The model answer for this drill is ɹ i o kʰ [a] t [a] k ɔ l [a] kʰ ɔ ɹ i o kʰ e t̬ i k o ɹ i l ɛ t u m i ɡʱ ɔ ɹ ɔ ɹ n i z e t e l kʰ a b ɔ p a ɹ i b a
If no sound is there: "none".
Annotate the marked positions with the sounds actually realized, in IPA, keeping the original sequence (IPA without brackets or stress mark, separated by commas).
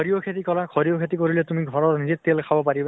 e, i, a